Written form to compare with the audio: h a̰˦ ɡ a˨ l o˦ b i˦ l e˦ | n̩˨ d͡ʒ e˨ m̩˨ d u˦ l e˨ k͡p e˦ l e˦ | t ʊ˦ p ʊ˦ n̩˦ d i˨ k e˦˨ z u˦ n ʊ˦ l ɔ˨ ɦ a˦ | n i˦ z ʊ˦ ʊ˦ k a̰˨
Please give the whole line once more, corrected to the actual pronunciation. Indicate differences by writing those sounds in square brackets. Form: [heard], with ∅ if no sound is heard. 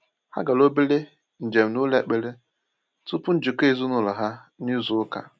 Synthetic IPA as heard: h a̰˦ ɡ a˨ l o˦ b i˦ l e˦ | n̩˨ d͡ʒ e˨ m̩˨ [n] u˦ l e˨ k͡p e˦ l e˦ | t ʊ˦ p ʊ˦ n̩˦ [d͡ʒ] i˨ k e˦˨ z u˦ n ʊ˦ l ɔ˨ ɦ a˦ | n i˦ z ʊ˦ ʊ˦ k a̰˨